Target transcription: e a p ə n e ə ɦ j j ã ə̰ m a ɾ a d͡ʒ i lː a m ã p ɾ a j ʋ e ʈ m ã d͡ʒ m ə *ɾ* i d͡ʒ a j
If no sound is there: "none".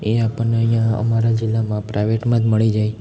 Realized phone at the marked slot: ɭ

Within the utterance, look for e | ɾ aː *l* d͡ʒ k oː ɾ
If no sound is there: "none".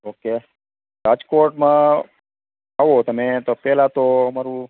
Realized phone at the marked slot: none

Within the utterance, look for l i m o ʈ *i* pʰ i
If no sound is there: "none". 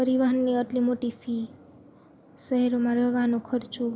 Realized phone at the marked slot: i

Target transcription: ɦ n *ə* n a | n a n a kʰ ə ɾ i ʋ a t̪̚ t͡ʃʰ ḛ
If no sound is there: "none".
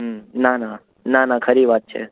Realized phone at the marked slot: a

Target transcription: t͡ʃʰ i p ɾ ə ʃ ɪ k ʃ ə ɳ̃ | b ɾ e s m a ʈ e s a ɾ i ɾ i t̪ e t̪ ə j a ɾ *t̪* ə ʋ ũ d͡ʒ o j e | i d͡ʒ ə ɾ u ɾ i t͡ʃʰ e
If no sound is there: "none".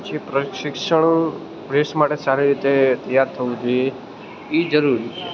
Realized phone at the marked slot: t̪ʰ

